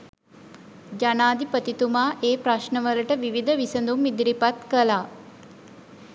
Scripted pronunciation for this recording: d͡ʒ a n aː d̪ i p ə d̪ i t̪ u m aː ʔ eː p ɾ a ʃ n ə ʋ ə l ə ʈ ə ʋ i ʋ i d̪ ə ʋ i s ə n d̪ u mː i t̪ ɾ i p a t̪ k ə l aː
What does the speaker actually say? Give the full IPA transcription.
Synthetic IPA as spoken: d͡ʒ a n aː d̪ i p ə t̪ i t̪ u m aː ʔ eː p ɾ a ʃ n ə ʋ ə l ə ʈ ə ʋ i ʋ i d̪ ə ʋ i s ə n d̪ u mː i d̪ ɾ i p a t̪ k ə l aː